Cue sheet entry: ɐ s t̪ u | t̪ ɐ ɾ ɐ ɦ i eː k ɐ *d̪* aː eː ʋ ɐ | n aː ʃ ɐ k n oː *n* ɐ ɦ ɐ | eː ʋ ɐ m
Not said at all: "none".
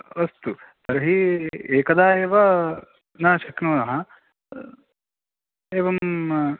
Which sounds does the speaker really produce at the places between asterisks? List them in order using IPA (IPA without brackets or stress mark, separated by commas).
d̪, n